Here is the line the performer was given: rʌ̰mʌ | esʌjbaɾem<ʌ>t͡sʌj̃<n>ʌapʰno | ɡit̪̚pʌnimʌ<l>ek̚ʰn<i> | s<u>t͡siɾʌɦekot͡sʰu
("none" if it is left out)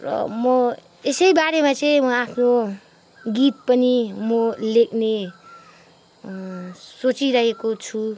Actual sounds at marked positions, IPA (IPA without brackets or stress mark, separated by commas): a, m, l, e, o